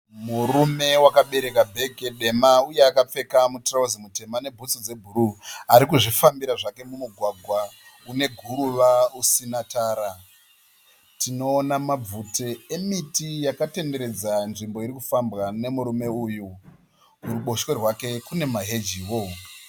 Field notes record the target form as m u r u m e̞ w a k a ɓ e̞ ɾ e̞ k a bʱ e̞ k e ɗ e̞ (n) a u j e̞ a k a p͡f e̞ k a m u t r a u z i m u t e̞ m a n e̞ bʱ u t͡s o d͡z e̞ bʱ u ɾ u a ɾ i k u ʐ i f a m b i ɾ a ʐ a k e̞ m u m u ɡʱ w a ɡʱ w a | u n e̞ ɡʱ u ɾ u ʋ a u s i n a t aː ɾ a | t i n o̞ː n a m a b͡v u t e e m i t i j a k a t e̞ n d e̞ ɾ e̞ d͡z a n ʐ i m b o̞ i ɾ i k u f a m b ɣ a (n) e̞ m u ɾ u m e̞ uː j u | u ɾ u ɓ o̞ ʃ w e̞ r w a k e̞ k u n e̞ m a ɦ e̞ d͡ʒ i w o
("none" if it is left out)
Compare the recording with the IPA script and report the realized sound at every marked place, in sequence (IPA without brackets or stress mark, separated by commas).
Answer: m, n